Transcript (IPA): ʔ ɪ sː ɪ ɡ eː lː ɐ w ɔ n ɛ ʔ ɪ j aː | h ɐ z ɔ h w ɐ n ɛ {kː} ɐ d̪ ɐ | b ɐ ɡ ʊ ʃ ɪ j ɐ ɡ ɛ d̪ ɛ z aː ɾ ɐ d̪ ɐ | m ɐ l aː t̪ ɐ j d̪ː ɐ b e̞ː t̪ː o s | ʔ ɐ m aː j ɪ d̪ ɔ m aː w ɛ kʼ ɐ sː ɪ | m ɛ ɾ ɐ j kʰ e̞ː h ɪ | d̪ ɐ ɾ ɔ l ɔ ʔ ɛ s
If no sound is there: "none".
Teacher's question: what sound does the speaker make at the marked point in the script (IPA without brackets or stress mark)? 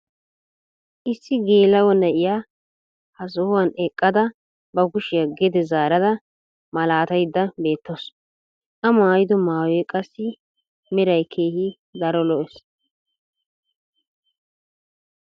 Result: kʼː